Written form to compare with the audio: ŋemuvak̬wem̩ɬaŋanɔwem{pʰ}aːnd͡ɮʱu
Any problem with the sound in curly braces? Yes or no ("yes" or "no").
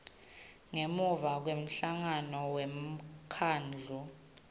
yes